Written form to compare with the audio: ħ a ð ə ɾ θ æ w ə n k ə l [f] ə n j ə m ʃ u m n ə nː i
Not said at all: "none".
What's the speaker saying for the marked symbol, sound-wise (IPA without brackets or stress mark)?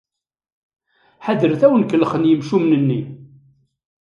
χ